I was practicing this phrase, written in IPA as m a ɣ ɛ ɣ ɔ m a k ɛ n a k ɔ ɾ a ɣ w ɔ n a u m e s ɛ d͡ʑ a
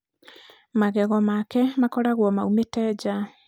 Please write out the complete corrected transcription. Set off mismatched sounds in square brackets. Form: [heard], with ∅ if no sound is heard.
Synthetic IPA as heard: m a ɣ ɛ ɣ ɔ m a k ɛ [m] a k ɔ ɾ a ɣ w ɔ [m] a u m e [t] ɛ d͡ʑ a